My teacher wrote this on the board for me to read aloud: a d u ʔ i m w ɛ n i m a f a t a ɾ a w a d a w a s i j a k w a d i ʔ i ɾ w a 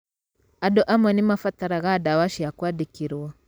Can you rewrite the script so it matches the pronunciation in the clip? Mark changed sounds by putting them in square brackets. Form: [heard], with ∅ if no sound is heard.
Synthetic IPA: a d [ɔ] ʔ [a] m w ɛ n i m a f a t a ɾ a [ɣ] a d a w a [ʃ] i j a k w a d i [k] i ɾ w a